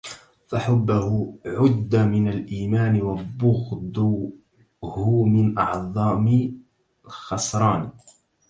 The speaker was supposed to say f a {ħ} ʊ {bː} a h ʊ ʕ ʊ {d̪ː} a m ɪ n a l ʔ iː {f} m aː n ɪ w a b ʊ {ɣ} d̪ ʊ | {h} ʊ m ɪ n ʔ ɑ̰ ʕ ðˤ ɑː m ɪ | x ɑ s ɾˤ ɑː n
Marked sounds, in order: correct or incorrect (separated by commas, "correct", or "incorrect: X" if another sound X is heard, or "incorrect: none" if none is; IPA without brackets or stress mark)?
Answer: correct, correct, correct, incorrect: none, correct, correct